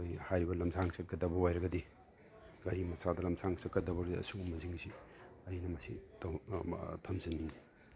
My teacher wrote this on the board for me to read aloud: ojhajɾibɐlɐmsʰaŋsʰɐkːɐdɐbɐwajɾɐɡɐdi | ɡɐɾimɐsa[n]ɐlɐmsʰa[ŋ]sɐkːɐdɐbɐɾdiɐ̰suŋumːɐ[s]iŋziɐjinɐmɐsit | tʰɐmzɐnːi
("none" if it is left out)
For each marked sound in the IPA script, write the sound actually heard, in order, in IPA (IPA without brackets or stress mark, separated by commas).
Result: d, ŋ, z